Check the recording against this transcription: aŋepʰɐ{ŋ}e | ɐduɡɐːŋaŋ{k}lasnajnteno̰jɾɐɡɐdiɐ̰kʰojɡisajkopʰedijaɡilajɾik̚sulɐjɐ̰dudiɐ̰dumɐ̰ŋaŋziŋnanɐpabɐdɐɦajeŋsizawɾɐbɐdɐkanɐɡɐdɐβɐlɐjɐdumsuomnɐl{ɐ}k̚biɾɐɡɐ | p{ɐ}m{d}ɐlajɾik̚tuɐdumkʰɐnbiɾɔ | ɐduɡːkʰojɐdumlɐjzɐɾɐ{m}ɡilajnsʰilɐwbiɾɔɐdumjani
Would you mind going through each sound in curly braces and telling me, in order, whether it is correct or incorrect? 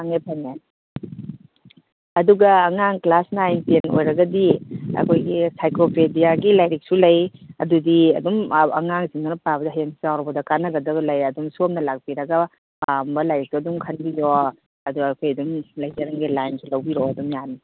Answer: incorrect, correct, incorrect, incorrect, incorrect, incorrect

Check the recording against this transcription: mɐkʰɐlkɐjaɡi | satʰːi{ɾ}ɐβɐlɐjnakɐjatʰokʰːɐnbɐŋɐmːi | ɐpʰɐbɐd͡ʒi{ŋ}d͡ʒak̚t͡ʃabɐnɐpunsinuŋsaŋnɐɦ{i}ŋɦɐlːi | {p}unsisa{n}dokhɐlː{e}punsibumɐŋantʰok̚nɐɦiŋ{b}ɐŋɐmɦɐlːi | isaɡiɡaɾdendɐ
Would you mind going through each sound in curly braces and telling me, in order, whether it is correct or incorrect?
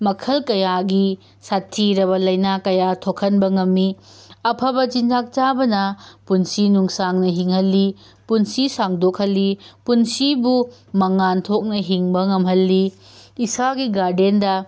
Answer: correct, incorrect, correct, correct, incorrect, incorrect, correct

